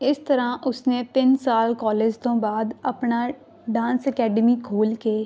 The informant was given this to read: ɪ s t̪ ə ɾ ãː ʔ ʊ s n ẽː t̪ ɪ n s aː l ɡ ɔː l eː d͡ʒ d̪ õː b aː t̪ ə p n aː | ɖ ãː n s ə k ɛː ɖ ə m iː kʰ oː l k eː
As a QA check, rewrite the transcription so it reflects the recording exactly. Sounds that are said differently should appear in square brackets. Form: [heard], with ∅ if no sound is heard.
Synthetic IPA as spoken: ɪ s t̪ ə ɾ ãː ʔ ʊ s n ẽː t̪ ɪ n s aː l [k] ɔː l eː d͡ʒ [t̪] õː b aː [d̪] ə p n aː | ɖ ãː n s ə k ɛː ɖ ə m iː kʰ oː l k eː